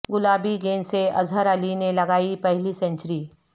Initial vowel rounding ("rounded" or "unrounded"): rounded